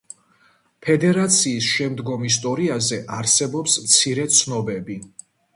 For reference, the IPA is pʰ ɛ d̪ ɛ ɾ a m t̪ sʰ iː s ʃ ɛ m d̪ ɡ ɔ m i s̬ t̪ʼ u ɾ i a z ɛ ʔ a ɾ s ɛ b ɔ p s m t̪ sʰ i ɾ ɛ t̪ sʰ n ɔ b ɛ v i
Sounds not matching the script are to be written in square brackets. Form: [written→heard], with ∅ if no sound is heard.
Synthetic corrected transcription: pʰ ɛ d̪ ɛ ɾ a [m→∅] t̪ sʰ iː s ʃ ɛ m d̪ ɡ ɔ m i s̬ t̪ʼ [u→ɔ] ɾ i a z ɛ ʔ a ɾ s ɛ b ɔ p s m t̪ sʰ i ɾ ɛ t̪ sʰ n ɔ b ɛ [v→b] i